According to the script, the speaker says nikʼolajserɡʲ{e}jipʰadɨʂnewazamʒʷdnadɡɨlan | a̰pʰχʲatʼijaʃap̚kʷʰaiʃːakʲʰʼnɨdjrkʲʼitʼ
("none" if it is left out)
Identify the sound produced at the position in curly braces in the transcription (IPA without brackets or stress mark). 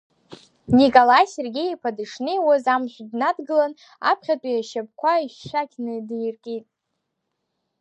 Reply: e